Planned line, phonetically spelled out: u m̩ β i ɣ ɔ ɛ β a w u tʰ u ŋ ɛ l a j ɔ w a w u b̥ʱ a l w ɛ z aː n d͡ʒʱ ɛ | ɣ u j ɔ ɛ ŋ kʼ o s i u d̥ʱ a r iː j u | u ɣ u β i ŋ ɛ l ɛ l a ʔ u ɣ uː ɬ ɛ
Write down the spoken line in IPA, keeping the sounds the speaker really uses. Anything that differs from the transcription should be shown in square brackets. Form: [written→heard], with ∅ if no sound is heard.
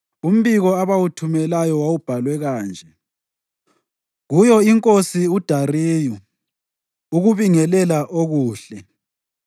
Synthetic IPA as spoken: u m̩ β i ɣ ɔ [ɛ→a] β a w u tʰ u [ŋ→m] ɛ l a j ɔ w a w u b̥ʱ a l w ɛ [z→ɣ] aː n d͡ʒʱ ɛ | ɣ u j ɔ [ɛ→i] ŋ kʼ o s i u d̥ʱ a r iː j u | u ɣ u β i ŋ ɛ l ɛ l a ʔ [u→o] ɣ uː ɬ ɛ